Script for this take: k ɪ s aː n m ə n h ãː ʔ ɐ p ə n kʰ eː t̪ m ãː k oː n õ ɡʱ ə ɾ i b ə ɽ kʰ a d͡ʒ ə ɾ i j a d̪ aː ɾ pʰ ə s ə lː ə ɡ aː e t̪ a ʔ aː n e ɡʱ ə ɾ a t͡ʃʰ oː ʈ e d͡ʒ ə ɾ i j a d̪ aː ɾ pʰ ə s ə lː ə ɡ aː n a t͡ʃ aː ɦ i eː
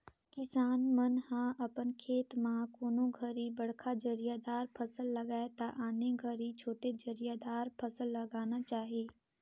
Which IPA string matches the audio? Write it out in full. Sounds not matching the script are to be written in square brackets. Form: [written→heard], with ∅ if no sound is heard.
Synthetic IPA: k ɪ s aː n m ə n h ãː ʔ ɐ p ə n kʰ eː t̪ m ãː k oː n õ ɡʱ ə ɾ i b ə ɽ kʰ a d͡ʒ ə ɾ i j a d̪ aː ɾ pʰ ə s ə lː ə ɡ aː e t̪ a ʔ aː n e ɡʱ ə ɾ [a→i] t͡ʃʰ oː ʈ e d͡ʒ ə ɾ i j a d̪ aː ɾ pʰ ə s ə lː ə ɡ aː n a t͡ʃ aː ɦ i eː